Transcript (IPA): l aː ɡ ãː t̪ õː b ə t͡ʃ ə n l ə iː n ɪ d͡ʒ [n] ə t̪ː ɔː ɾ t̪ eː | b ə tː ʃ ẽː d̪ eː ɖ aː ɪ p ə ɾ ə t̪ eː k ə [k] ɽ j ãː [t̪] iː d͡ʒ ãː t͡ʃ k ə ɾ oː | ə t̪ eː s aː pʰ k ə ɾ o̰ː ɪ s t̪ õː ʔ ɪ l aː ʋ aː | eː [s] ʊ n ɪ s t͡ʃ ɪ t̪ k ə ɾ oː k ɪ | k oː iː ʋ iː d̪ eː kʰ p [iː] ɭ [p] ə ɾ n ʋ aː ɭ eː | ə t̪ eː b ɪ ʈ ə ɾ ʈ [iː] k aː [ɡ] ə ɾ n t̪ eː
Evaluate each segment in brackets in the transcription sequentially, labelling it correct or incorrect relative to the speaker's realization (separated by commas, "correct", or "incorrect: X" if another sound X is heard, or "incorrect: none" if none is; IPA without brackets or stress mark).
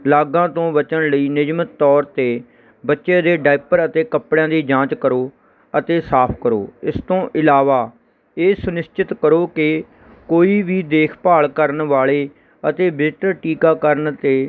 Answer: incorrect: m, incorrect: p, incorrect: d̪, correct, incorrect: aː, incorrect: k, correct, incorrect: k